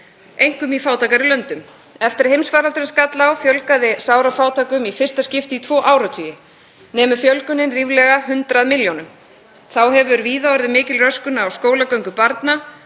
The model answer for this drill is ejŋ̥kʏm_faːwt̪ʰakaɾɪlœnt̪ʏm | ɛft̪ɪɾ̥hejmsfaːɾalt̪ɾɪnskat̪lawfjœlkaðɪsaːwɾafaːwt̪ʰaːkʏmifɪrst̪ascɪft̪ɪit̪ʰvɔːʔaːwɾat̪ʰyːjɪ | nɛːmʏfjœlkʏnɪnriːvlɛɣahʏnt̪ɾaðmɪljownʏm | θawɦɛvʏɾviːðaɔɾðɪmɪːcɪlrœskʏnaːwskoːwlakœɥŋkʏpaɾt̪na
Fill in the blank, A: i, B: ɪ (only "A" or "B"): A